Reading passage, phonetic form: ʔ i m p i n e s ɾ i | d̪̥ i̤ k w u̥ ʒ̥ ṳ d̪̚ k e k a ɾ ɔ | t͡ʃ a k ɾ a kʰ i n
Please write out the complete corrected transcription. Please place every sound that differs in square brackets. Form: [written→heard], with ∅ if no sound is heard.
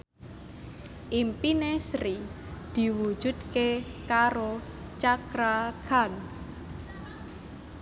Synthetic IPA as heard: ʔ i m p i n e s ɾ i | d̪̥ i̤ [k→∅] w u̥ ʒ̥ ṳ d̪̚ k e k a ɾ [ɔ→o] | t͡ʃ a k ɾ a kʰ [i→a] n